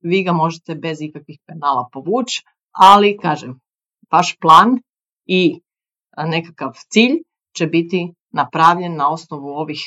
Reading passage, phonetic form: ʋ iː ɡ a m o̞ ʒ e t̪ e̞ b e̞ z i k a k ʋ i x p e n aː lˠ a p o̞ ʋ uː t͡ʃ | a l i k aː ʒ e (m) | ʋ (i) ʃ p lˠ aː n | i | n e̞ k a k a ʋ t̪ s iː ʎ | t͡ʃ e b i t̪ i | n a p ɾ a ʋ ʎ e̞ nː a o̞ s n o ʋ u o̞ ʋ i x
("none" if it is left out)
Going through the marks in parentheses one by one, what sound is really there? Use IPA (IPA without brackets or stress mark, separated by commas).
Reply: m, a